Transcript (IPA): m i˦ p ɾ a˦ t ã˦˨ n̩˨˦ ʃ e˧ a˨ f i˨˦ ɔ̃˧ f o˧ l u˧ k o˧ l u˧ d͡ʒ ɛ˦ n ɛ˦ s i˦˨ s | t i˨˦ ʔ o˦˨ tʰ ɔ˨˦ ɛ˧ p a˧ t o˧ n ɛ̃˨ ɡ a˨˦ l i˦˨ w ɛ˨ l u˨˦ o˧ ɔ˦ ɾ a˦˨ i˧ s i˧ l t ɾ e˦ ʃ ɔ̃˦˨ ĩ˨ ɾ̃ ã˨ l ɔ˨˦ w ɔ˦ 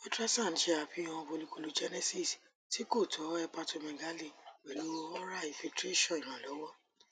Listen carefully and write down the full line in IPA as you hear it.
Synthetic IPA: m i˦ t ɾ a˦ s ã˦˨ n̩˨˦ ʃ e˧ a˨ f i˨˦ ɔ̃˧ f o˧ l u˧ k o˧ l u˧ d͡ʒ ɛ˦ n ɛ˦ s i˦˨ s | t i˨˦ k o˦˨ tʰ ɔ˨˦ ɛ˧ p a˧ t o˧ m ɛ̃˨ ɡ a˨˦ l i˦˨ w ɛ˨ l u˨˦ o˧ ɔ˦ ɾ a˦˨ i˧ f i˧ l t ɾ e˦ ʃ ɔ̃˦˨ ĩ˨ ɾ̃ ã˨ l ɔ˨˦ w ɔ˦